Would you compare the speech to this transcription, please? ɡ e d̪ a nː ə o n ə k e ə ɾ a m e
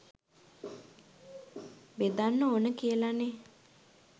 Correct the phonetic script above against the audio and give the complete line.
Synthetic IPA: b e d̪ a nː ə o n ə k i ə l a n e